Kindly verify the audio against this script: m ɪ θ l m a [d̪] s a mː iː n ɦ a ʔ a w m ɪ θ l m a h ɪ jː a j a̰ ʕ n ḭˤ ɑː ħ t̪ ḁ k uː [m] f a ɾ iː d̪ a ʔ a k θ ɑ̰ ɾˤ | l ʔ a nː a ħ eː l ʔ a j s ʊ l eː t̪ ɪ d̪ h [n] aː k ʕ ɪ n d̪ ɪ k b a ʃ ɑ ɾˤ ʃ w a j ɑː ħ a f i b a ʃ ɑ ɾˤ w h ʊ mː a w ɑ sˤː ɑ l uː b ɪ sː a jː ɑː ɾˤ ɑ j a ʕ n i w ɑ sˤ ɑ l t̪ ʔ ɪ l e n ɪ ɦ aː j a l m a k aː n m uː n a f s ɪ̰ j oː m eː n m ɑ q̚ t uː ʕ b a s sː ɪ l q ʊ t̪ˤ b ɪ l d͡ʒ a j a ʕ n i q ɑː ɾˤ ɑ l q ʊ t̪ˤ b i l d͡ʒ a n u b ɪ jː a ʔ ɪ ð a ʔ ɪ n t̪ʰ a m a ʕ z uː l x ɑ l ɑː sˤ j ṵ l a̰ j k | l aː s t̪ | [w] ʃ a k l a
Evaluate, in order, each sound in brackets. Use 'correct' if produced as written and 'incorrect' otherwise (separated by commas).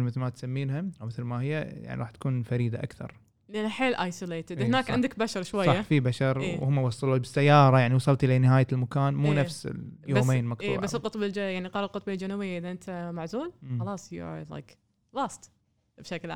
incorrect, incorrect, correct, incorrect